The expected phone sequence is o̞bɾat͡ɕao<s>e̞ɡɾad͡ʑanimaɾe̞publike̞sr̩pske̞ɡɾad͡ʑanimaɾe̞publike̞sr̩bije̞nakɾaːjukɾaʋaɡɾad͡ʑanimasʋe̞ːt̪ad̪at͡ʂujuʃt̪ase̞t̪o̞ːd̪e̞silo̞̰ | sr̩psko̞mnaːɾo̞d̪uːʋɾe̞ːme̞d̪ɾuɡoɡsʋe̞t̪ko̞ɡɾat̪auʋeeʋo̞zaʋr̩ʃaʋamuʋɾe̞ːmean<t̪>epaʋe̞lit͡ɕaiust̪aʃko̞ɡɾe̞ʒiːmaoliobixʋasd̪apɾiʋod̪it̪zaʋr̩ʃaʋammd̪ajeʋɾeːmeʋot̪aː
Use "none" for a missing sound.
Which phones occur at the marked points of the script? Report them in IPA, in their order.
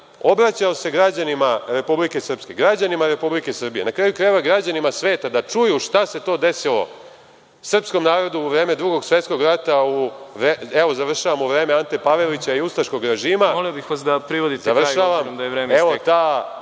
s, t̪

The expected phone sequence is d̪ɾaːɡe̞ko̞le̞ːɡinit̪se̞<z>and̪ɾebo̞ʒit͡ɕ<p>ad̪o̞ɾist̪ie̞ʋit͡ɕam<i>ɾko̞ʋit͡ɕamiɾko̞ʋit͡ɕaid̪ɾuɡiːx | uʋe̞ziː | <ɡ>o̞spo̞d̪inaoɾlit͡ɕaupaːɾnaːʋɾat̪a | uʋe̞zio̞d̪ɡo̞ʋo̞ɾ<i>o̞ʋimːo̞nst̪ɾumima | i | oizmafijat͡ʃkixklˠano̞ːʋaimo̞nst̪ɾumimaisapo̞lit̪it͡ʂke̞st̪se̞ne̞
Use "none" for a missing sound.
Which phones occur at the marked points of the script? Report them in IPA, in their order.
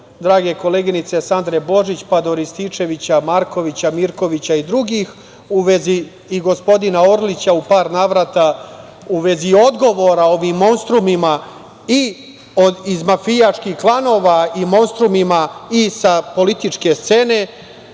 s, p, a, ɡ, a

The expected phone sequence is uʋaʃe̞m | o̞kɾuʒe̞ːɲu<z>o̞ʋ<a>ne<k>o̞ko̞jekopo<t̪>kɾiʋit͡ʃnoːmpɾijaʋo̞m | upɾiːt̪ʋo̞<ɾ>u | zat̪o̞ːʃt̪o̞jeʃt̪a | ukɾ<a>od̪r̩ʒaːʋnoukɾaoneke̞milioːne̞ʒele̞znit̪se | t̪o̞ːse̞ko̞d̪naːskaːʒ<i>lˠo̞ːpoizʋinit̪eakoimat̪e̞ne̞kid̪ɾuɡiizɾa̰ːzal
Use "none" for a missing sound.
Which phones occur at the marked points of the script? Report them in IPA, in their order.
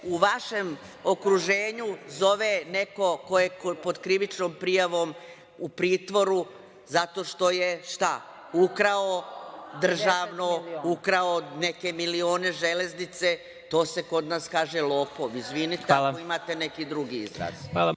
z, e, k, d̪, ɾ, a, e

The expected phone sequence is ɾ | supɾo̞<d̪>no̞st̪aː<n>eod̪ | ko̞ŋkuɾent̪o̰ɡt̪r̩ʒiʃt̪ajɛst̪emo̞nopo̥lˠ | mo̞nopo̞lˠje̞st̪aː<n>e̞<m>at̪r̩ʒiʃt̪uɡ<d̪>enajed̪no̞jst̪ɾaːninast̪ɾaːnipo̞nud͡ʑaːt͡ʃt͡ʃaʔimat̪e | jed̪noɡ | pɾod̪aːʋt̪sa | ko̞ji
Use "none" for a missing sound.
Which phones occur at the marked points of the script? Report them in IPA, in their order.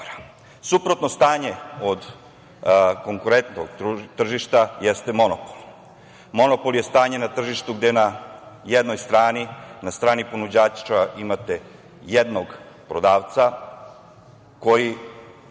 t̪, ɲ, ɲ, n, d̪

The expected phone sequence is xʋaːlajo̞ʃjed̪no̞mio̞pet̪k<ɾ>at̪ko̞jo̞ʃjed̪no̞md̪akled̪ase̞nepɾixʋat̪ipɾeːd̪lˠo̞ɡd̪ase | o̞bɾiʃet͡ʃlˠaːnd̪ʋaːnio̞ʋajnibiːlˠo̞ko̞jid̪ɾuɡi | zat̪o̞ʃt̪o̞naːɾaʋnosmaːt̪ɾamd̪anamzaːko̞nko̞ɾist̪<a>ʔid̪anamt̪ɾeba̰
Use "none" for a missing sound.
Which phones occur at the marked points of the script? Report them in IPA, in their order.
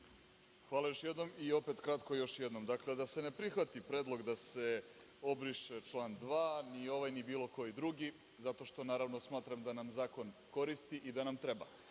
ɾ, i

